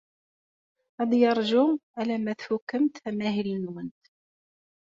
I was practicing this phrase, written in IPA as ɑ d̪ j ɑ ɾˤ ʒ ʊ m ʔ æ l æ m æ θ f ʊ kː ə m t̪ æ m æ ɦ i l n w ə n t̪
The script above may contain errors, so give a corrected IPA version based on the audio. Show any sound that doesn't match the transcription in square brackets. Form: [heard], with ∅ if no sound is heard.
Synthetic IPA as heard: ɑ d̪ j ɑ ɾˤ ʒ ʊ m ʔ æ l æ m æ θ f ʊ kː ə m t̪ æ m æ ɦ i l n w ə n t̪